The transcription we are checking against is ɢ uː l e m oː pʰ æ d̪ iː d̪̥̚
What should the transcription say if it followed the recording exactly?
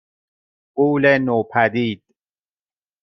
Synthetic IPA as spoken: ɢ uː l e n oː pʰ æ d̪ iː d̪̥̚